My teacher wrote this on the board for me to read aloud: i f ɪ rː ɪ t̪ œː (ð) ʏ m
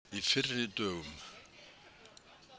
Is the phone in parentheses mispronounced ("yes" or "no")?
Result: yes